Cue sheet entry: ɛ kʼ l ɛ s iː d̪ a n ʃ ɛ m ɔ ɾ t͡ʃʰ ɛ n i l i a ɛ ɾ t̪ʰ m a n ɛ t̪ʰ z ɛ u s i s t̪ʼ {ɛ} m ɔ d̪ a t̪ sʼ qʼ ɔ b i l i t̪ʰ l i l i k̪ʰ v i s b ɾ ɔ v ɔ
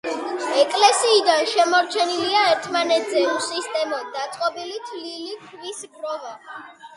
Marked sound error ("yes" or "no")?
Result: no